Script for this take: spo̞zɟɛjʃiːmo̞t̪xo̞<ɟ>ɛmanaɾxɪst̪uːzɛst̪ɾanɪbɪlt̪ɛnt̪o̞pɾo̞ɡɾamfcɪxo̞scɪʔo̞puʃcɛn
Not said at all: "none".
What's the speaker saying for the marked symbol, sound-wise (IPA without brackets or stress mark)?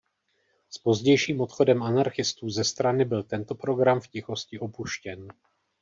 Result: d